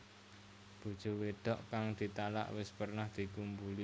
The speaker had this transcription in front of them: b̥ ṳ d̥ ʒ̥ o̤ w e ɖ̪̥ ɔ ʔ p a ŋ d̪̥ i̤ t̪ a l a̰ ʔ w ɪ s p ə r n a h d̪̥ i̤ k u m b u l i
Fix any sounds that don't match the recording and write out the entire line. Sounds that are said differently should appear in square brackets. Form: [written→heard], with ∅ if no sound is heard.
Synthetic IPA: b̥ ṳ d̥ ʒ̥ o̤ w e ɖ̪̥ ɔ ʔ [p→k] a ŋ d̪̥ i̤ t̪ a l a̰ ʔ w ɪ s p ə r n a h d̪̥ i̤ k u m b u l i